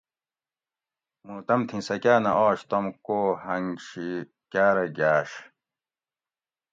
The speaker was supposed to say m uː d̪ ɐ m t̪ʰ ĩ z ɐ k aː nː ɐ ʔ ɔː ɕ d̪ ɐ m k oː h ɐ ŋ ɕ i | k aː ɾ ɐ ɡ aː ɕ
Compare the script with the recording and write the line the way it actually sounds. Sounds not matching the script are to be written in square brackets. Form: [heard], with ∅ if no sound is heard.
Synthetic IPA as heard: m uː [t̪] ɐ m t̪ʰ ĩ [s] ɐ k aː [n] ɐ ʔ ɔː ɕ [t̪] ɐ m k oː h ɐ ŋ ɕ i | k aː ɾ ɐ ɡ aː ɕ